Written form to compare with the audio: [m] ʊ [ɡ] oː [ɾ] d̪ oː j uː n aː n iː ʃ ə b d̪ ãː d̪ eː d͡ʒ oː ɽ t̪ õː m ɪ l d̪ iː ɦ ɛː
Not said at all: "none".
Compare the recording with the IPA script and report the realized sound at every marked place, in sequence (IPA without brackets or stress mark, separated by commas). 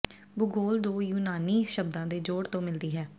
b, ɡ, l